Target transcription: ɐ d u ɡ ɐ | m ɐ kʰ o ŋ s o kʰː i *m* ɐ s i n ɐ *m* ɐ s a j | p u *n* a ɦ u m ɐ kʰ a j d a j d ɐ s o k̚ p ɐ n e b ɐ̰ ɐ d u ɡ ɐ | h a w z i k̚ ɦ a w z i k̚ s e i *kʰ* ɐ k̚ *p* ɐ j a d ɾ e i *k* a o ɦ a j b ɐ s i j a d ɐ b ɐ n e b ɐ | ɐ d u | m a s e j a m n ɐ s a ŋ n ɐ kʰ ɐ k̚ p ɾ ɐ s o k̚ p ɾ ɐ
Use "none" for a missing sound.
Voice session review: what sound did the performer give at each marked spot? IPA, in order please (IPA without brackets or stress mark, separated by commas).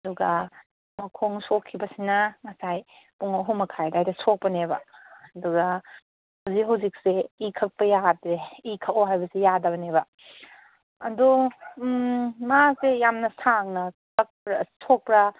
b, ŋ, ŋ, kʰ, p, kʰ